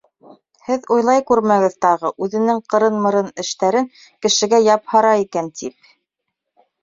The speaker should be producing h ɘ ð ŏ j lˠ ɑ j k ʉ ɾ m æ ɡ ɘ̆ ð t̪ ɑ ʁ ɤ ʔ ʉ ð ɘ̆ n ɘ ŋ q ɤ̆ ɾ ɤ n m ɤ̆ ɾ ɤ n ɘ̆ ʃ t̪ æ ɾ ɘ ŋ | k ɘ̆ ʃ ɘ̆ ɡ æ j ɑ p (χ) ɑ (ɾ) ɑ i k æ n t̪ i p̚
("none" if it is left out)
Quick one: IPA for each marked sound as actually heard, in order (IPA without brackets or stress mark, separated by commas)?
h, ɾ